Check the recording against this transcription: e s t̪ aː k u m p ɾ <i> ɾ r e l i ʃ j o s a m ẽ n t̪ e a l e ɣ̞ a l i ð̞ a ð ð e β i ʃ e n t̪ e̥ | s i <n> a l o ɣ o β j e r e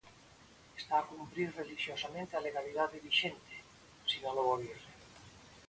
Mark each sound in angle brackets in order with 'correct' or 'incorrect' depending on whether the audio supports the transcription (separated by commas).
correct, correct